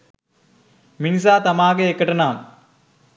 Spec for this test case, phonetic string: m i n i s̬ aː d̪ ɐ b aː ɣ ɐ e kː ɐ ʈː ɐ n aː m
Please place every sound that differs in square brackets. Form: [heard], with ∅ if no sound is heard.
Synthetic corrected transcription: m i n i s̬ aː [t̪] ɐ [m] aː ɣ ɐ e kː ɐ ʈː ɐ n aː m